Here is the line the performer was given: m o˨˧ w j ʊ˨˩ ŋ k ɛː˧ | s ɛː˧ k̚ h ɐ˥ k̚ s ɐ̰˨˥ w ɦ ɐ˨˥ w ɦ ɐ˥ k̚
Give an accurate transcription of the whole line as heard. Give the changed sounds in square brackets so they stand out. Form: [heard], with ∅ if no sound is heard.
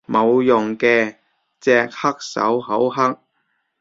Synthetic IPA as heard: m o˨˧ w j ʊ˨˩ ŋ k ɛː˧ | [t͡s] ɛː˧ k̚ h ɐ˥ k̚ s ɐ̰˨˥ w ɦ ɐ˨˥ w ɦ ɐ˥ k̚